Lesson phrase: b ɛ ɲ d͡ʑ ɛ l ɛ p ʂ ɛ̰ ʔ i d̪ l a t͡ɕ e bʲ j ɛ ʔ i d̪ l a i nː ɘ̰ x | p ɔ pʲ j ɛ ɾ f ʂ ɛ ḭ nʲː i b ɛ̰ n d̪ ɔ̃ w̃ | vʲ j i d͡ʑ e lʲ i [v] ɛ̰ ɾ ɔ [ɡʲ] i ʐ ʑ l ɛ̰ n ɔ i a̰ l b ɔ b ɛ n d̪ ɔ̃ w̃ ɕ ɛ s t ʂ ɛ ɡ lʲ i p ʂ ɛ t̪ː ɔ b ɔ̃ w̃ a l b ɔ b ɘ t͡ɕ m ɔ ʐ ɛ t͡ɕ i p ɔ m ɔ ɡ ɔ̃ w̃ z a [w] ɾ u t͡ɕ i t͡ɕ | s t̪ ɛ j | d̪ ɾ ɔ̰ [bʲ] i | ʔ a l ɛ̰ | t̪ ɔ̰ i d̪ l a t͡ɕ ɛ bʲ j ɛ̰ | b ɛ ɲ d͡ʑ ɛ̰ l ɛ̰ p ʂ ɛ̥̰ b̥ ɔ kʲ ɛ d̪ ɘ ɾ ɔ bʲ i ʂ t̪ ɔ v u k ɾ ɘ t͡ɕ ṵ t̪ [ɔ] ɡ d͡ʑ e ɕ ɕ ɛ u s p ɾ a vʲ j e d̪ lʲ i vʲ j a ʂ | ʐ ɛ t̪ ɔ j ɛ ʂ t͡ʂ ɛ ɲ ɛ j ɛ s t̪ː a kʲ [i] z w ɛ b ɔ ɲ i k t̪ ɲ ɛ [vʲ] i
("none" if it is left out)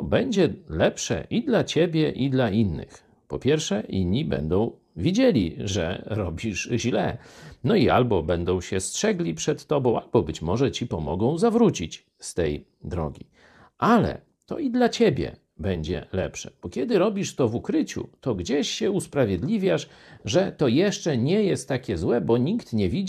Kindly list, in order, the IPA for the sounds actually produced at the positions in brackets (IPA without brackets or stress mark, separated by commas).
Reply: ʐ, bʲ, v, ɡʲ, ɔ, ɛ, vʲ